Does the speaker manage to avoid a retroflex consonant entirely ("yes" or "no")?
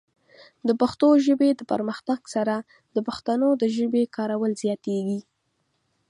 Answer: yes